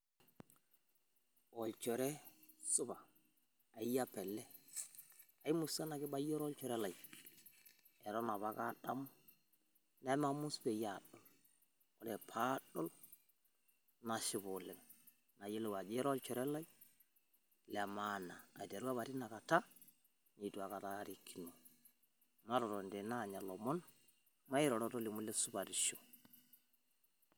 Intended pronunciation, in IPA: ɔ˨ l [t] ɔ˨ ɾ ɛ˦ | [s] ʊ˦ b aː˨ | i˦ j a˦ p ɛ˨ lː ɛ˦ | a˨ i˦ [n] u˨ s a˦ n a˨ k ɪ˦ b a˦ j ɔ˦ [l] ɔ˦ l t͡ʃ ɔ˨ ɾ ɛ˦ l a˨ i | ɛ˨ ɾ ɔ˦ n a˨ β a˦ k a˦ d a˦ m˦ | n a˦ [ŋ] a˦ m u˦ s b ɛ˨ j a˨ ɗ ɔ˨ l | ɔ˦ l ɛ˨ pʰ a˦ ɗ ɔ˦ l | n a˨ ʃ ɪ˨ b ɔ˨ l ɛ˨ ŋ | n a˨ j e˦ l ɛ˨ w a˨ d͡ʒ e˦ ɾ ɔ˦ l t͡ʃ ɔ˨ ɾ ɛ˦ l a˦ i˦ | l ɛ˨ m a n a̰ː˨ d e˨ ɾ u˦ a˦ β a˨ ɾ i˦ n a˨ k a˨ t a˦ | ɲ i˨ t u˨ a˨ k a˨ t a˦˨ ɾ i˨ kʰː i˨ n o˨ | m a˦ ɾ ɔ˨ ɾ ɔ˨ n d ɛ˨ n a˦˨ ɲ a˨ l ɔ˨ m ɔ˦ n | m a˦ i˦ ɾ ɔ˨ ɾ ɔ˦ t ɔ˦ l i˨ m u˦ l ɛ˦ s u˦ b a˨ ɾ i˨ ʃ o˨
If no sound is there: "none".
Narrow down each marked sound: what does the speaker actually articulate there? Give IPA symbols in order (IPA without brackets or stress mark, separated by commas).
t͡ʃ, s, m, ɾ, m